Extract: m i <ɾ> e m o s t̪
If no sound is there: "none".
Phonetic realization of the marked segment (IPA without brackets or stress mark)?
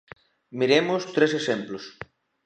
ɾ